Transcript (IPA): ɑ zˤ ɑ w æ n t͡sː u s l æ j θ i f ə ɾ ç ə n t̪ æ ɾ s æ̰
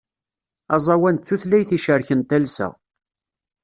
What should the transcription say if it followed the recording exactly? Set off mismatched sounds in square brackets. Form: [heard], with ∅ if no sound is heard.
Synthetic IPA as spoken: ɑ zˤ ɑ w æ n t͡sː u [θ] l æ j θ i [ʃ] ə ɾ ç ə n t̪ æ [l] s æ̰